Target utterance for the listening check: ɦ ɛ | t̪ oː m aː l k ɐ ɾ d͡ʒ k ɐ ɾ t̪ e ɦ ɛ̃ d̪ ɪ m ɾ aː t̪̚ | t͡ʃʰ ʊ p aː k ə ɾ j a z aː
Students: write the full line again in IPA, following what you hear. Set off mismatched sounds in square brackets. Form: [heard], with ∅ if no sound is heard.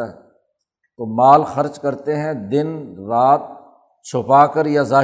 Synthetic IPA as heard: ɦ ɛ | t̪ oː m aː l [x] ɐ ɾ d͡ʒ k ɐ ɾ t̪ e ɦ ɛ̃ d̪ ɪ [n] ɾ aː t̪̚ | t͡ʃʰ ʊ p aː k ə ɾ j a z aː